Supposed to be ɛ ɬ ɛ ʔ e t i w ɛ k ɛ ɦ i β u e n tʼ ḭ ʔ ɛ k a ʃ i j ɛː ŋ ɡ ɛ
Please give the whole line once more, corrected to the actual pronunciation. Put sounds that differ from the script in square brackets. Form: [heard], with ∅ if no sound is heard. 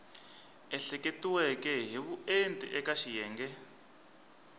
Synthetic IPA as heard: ɛ ɬ ɛ [k] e t i w ɛ k ɛ ɦ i β u e n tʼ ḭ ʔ ɛ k a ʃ i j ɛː ŋ ɡ ɛ